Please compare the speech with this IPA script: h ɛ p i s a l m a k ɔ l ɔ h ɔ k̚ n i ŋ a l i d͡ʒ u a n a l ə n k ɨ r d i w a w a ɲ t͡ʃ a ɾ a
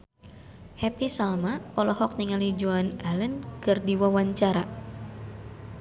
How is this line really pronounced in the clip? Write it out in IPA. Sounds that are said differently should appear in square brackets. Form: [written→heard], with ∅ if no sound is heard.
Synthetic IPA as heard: h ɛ p i s a l m a k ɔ l ɔ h ɔ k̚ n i ŋ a l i d͡ʒ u a n a l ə n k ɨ r d i w a w a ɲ t͡ʃ a ɾ a